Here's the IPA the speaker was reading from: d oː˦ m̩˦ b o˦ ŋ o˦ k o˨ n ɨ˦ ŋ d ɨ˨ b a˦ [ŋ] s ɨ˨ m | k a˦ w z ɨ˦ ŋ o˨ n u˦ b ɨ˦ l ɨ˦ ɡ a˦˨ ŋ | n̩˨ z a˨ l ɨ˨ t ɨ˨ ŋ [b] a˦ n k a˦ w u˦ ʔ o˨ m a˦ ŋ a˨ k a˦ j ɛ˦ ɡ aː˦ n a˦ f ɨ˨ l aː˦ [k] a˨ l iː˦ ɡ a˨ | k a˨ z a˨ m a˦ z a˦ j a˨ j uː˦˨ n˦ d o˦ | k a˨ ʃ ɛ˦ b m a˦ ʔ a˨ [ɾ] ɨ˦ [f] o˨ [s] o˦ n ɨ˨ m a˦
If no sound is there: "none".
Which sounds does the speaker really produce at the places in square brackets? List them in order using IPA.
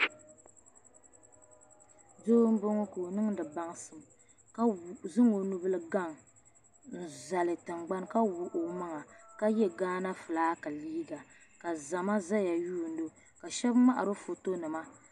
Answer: ŋ, ɡ͡b, k, ɾ, f, t

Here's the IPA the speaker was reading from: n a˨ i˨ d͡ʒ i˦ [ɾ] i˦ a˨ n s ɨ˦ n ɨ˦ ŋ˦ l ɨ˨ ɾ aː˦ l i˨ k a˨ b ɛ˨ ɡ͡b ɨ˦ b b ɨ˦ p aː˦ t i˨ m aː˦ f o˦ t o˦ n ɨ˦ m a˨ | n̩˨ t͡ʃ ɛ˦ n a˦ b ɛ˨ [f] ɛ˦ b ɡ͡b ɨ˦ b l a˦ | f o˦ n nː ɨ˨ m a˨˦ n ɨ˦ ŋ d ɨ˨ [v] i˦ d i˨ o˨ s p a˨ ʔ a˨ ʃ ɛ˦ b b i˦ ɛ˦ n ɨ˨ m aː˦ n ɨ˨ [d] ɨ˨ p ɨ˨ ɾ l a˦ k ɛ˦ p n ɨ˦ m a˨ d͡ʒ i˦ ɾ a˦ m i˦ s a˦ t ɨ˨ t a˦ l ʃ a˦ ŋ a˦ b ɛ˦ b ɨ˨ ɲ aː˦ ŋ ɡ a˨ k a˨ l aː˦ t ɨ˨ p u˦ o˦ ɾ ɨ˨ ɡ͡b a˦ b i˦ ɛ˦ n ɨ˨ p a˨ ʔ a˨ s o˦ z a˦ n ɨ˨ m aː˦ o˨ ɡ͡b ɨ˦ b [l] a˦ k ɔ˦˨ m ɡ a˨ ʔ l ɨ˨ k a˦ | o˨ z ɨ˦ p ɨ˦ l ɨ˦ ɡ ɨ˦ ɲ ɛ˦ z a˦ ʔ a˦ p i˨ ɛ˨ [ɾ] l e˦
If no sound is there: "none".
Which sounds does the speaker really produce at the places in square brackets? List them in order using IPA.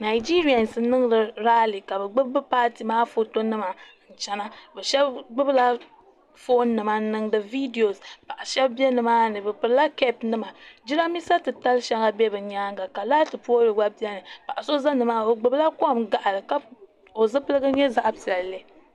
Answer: ɾ, ʃ, v, b, l, l

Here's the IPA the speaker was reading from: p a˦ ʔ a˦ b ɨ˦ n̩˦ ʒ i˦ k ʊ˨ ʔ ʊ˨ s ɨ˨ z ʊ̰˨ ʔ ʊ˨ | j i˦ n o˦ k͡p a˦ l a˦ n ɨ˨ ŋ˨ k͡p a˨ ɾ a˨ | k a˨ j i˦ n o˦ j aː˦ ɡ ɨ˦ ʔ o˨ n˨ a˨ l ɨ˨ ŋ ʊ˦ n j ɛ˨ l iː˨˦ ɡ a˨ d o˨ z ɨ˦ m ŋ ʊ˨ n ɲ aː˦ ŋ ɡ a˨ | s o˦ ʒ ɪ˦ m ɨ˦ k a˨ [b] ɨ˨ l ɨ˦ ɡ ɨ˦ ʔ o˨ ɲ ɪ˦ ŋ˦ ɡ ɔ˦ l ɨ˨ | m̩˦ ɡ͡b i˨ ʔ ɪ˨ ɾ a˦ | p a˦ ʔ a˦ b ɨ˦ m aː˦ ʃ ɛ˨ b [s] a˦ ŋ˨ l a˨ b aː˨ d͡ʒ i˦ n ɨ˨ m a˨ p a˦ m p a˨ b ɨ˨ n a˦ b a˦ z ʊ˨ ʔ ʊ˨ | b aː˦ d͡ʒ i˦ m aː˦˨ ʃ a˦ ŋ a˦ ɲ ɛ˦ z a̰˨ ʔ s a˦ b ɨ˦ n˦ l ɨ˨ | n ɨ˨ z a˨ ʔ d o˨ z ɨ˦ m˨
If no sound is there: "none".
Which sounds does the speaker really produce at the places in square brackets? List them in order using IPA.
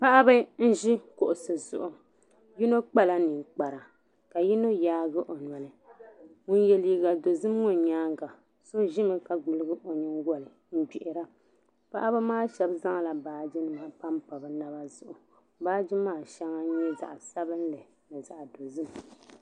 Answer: ɡ͡b, z

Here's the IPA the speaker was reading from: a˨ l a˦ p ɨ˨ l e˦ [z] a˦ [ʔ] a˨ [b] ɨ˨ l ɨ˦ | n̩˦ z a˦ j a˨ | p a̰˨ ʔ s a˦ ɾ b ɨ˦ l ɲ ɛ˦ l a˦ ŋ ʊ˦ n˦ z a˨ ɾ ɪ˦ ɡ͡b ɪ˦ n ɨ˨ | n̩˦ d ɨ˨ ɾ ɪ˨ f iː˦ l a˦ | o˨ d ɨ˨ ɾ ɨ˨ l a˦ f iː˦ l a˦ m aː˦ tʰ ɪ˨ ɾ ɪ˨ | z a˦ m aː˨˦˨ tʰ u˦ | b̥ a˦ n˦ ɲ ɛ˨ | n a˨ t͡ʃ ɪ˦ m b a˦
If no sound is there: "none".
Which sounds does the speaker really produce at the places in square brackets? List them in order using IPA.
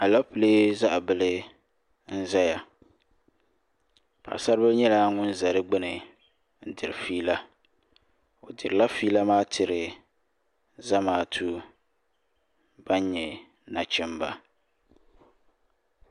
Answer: z, ʔ, b

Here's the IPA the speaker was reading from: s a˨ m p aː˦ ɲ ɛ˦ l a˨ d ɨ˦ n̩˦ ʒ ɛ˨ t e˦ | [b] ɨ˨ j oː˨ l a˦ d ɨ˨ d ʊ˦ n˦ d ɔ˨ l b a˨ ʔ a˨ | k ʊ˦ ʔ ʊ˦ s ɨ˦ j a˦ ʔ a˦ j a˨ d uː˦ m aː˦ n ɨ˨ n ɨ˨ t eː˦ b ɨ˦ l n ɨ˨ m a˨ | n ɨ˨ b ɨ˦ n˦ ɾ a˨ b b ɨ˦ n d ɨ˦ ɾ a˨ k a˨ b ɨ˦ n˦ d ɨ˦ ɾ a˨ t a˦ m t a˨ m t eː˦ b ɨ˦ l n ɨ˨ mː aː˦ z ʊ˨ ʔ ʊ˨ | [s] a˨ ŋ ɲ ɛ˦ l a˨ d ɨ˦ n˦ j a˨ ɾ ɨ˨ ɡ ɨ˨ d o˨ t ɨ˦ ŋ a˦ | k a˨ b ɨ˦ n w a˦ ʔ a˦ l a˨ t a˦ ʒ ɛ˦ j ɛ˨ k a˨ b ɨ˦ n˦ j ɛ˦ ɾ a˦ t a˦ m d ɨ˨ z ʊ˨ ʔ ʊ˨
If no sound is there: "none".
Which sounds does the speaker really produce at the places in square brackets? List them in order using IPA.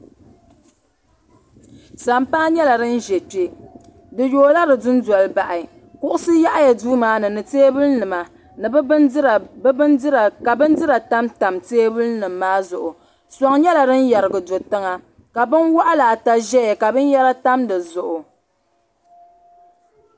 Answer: d, s

